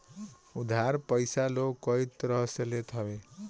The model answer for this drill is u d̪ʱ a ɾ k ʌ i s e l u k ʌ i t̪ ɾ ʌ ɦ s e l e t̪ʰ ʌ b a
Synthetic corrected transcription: u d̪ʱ a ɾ p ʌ j s a l o k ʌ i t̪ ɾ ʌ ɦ s e l e t̪ʰ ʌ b e